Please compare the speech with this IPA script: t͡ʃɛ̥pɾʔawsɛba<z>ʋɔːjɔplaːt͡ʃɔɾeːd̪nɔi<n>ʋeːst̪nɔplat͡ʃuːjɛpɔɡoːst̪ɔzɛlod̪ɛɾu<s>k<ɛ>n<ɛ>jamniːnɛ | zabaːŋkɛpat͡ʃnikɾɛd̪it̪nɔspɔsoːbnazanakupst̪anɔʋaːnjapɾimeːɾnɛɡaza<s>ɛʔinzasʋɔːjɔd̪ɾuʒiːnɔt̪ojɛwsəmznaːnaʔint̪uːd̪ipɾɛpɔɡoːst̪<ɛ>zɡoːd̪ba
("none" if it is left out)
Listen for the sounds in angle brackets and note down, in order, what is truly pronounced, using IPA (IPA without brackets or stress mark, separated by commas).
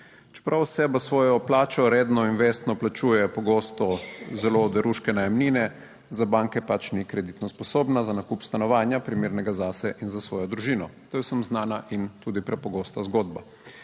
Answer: s, n, ʃ, ɛ, a, s, a